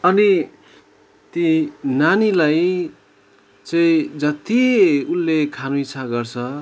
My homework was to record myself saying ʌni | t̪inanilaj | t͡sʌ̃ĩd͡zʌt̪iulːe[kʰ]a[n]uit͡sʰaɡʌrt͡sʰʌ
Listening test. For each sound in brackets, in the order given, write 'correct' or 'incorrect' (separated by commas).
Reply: correct, correct